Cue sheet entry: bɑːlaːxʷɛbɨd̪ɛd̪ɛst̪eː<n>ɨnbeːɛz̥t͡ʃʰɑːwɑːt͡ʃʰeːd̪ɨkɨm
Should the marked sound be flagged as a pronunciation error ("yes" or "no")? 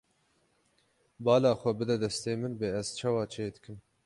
yes